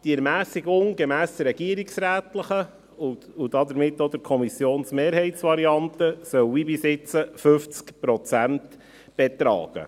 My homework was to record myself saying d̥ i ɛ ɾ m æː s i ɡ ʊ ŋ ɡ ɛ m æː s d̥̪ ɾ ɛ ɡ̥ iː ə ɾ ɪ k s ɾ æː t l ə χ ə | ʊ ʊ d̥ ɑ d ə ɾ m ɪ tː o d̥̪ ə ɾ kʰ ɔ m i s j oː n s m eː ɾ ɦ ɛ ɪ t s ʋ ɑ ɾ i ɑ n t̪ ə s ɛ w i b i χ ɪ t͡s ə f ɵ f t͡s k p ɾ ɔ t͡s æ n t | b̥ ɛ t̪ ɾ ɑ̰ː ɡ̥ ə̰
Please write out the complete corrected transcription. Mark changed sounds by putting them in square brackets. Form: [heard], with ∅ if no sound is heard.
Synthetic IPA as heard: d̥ i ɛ ɾ m æː s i ɡ ʊ ŋ ɡ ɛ m æː s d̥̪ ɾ ɛ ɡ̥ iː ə ɾ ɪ k s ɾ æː t l ə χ ə | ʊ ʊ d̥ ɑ d ə ɾ m ɪ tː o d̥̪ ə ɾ kʰ ɔ m i s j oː n s m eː ɾ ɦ ɛ ɪ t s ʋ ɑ ɾ i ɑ n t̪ ə s [œ] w i b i [s] ɪ t͡s ə f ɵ f t͡s k p ɾ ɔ t͡s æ n t | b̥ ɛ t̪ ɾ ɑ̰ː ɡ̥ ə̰